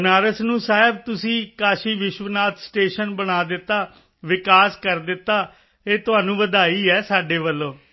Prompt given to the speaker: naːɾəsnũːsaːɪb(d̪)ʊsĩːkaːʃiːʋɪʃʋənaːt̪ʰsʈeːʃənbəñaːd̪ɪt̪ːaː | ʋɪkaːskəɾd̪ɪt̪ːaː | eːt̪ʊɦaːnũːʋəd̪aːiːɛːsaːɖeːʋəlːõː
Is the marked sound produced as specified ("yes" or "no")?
no